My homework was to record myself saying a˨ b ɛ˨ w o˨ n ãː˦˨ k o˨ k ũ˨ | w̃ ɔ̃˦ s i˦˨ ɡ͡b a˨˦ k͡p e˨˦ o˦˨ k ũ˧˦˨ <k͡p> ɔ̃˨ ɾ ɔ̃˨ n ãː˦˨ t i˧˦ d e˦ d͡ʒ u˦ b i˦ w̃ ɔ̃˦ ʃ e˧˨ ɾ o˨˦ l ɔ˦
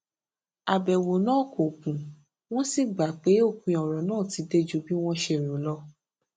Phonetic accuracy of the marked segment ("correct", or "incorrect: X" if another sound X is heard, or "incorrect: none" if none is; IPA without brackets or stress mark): incorrect: none